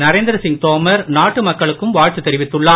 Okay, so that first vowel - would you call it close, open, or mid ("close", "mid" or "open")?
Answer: open